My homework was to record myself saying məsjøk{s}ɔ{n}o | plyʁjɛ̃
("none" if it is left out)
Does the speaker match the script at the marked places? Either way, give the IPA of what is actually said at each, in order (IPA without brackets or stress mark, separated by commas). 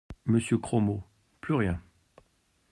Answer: χ, m